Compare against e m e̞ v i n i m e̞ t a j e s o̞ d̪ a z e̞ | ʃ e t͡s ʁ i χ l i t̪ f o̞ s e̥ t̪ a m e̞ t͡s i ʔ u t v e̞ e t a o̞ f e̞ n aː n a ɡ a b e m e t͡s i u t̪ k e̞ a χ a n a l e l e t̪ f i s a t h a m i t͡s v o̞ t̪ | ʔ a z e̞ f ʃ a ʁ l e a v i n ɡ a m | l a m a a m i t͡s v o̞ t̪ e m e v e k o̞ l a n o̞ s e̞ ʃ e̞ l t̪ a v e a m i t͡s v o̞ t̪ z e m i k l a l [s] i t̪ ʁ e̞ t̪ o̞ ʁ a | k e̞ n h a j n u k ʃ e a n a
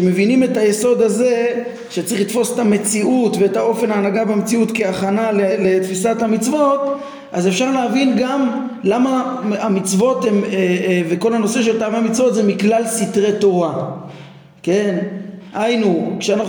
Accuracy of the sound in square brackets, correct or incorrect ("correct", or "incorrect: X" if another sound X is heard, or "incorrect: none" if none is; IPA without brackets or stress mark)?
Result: correct